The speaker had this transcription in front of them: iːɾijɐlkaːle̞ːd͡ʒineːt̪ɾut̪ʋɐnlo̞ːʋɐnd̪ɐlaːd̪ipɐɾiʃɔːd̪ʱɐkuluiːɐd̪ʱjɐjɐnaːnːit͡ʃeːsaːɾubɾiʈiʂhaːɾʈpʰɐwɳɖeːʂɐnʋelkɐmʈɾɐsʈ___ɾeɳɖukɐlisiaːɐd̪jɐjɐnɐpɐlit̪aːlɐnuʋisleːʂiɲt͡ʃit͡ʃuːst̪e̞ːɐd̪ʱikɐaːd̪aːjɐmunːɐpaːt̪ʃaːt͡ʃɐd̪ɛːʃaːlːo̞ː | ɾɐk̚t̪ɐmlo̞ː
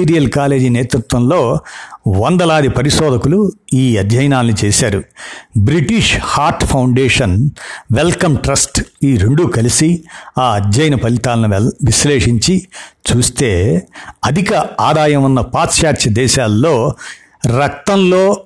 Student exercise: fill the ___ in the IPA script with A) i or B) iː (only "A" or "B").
B